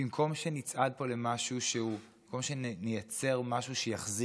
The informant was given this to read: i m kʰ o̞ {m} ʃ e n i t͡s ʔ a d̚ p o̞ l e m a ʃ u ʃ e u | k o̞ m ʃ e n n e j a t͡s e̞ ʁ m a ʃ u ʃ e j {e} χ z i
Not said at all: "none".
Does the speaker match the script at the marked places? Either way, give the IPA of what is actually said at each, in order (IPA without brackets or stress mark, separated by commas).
m, a